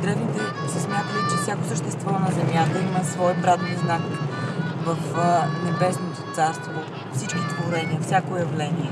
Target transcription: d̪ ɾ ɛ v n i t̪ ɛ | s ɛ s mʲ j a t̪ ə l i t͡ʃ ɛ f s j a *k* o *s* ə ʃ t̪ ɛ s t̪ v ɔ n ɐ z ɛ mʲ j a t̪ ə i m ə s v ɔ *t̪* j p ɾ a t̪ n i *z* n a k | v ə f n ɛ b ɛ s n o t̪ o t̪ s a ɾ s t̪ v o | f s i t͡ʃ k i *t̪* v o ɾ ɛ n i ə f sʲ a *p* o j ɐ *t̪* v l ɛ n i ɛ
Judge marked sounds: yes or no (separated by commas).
yes, yes, no, yes, yes, no, no